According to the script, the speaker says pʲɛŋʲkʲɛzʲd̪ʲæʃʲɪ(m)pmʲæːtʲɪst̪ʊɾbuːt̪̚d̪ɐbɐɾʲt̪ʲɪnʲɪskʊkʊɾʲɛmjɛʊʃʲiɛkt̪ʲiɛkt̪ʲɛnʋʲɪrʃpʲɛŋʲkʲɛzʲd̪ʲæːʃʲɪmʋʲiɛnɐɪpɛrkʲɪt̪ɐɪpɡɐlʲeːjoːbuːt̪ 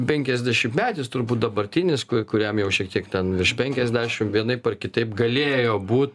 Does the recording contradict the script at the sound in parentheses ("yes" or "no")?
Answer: no